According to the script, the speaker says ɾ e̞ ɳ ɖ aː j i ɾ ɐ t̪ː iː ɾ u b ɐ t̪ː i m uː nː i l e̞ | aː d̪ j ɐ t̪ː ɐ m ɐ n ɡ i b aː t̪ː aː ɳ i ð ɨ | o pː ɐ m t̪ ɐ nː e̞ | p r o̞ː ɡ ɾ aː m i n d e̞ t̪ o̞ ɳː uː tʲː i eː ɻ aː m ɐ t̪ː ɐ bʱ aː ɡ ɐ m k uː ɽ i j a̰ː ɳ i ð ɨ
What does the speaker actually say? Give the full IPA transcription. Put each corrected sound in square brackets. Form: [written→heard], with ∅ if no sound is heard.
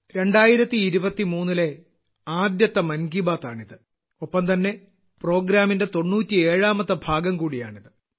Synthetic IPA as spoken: ɾ e̞ ɳ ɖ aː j i ɾ ɐ t̪ː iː ɾ u b ɐ t̪ː i m uː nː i l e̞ | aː d̪ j ɐ t̪ː ɐ m ɐ n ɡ i b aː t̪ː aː ɳ i ð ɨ | o pː ɐ m t̪ ɐ nː e̞ | p r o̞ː ɡ ɾ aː m i n d e̞ t̪ o̞ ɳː uː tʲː i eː ɻ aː m ɐ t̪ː ɐ bʱ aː ɡ ɐ m k uː ɽ i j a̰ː ɳ i ð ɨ